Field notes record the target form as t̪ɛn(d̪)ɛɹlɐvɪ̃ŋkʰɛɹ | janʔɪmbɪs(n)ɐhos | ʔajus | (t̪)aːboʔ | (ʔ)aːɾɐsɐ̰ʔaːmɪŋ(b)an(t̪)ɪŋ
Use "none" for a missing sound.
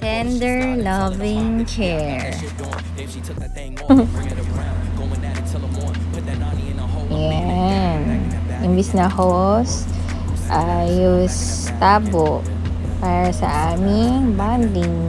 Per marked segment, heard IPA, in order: d̪, n, t̪, p, b, d̪

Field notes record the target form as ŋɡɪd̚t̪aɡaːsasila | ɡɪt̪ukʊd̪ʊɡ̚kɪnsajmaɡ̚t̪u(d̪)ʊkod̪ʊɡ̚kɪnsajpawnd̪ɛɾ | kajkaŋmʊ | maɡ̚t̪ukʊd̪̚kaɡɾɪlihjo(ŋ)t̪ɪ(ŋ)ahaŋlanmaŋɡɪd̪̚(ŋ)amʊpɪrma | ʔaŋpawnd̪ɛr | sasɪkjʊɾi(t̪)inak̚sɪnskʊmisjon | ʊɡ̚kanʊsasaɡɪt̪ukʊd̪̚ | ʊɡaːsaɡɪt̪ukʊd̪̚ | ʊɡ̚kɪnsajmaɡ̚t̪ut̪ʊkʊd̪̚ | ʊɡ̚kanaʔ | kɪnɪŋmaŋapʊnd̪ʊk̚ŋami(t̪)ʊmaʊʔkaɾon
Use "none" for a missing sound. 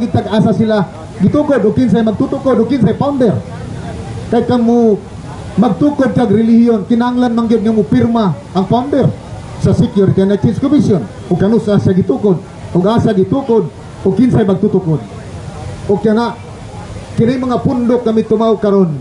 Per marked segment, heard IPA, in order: t̪, n, n, ŋ, t̪, t̪

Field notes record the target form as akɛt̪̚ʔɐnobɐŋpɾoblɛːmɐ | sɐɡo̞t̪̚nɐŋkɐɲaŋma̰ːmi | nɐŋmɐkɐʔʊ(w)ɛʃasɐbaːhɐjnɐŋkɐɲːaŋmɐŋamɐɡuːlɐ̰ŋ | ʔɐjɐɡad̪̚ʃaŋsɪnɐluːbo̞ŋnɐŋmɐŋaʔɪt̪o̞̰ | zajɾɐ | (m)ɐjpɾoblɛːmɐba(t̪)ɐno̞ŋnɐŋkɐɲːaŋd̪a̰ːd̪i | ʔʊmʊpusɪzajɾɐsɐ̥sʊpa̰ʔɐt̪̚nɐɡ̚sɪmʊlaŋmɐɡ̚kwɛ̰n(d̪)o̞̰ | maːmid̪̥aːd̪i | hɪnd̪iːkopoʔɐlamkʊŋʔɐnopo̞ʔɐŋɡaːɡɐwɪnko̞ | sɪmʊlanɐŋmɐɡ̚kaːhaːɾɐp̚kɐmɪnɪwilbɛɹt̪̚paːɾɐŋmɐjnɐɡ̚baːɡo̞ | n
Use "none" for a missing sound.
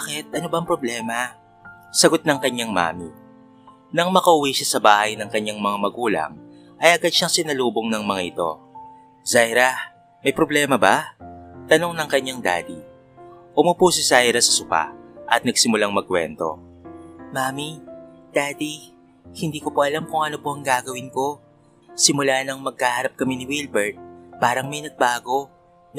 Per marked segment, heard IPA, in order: w, m, t̪, t̪

